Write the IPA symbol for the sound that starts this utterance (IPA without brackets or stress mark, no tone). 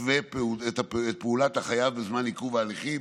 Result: v